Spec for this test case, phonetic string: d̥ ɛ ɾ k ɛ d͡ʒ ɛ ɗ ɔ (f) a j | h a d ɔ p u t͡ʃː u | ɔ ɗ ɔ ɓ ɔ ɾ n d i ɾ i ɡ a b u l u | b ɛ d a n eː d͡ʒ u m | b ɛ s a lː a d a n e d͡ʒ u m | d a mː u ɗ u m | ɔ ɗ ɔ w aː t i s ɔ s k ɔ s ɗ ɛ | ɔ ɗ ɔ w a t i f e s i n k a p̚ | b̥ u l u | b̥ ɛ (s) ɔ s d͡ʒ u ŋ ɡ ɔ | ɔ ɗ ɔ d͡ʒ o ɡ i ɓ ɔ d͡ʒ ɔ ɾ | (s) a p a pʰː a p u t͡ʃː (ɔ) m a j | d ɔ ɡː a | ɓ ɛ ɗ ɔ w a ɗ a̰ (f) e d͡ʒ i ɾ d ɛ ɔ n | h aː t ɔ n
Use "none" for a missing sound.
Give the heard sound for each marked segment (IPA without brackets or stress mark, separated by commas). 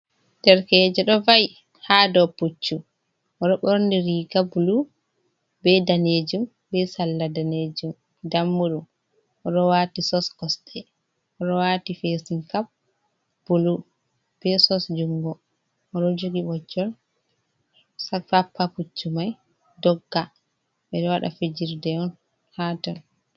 v, s, s, u, f